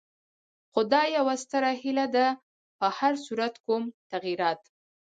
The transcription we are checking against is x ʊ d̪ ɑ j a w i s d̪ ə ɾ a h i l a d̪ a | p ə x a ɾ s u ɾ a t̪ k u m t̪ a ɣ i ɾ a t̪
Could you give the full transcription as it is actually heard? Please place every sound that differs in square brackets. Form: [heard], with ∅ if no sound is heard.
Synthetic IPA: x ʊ d̪ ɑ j a w [a] s [t̪] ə ɾ a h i l a d̪ a | p ə [h] a ɾ s u ɾ a t̪ k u m t̪ a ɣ i ɾ [ɑ] t̪